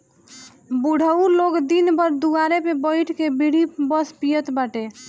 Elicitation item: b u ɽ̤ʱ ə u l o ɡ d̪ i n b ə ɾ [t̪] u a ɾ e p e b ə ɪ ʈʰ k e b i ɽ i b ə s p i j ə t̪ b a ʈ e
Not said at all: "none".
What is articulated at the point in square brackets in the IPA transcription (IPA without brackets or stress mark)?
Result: d̪